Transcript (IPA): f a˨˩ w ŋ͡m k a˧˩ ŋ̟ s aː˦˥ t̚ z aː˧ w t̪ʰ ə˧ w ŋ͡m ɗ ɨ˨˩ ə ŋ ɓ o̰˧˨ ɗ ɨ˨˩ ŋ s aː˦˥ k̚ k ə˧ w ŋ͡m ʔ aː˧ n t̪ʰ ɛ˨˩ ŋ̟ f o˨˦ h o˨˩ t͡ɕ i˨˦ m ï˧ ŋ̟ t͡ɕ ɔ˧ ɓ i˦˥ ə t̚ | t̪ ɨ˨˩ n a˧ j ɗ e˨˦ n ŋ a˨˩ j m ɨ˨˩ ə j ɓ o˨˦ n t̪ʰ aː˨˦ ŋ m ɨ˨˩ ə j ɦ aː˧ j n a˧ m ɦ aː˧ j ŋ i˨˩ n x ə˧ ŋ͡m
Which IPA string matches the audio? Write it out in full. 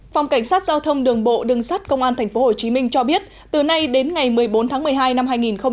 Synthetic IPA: f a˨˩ w ŋ͡m k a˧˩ ŋ̟ s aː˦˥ t̚ z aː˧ w t̪ʰ ə˧ w ŋ͡m ɗ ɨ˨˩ ə ŋ ɓ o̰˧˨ ɗ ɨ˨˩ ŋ s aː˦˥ t̚ k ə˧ w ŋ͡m ʔ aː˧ n t̪ʰ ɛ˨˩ ŋ̟ f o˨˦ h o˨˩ t͡ɕ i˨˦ m ï˧ ŋ̟ t͡ɕ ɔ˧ ɓ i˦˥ ə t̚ | t̪ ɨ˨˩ n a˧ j ɗ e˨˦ n ŋ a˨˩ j m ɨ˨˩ ə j ɓ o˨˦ n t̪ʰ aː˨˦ ŋ m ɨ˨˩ ə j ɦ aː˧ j n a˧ m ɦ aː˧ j ŋ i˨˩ n x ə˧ ŋ͡m

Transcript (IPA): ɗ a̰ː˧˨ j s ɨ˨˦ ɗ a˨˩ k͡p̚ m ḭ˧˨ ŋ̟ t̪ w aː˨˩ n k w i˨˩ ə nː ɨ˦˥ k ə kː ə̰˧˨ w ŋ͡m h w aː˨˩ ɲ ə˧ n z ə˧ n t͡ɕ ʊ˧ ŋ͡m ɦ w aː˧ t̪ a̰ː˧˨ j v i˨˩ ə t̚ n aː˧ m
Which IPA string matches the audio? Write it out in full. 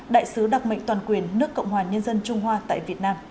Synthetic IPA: ɗ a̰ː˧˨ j s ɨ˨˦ ɗ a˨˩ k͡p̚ m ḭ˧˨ ŋ̟ t̪ w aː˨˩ n k w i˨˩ ə nː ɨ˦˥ ə kː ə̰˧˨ w ŋ͡m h w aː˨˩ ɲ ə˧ n z ə˧ n t͡ɕ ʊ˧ ŋ͡m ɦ w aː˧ t̪ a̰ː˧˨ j v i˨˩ ə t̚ n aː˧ m

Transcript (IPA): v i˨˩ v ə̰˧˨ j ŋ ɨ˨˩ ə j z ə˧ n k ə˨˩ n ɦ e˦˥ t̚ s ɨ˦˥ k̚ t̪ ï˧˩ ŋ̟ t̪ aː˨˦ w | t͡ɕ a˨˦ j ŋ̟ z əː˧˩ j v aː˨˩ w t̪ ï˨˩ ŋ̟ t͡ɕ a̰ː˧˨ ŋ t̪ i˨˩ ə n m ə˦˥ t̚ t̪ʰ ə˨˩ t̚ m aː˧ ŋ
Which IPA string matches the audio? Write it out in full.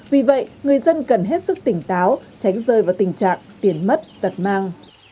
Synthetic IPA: v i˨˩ v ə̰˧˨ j ŋ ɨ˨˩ ə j z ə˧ n k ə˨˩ n ɦ e˦˥ t̚ s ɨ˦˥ k̚ t̪ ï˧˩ ŋ̟ t̪ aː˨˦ w | t͡ɕ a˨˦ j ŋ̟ z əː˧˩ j v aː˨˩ w t̪ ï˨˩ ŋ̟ t͡ɕ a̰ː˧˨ ŋ t̪ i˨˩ ə n m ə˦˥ t̚ t̪ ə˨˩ t̚ m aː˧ ŋ

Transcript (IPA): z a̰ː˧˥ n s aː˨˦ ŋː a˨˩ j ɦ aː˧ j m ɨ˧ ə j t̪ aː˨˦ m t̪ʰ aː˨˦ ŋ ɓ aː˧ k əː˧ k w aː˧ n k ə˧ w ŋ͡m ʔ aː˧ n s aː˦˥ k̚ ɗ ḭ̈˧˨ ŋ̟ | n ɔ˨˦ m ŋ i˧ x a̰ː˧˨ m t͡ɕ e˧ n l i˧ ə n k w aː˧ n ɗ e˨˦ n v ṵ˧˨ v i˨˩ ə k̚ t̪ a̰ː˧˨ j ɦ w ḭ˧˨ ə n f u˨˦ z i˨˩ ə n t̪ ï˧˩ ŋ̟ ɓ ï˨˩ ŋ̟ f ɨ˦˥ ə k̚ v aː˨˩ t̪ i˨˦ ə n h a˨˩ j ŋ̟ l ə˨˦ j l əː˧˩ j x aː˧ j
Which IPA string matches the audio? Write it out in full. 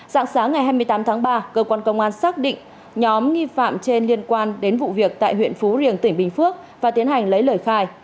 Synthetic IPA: z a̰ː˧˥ ŋ s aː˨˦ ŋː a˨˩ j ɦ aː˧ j m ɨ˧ ə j t̪ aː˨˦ m t̪ʰ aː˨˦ ŋ ɓ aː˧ k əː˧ k w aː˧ n k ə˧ w ŋ͡m ʔ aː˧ n s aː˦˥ k̚ ɗ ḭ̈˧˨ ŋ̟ | ɲ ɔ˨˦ m ŋ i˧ f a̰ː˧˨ m t͡ɕ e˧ n l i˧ ə n k w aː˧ n ɗ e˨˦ n v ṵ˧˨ v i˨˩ ə k̚ t̪ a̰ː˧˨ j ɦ w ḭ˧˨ ə n f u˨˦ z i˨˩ ə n t̪ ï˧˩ ŋ̟ ɓ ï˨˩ ŋ̟ f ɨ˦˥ ə k̚ v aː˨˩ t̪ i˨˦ ə n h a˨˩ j ŋ̟ l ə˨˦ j l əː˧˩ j x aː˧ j

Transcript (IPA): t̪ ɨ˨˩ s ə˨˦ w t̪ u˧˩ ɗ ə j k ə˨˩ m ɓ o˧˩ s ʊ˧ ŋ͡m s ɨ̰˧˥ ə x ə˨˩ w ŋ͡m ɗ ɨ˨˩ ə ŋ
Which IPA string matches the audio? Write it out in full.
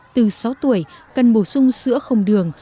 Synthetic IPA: t̪ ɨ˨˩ s a˨˦ w t̪ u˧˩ ə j k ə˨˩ n ɓ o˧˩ s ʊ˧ ŋ͡m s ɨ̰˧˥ ə x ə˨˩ w ŋ͡m ɗ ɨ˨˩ ə ŋ

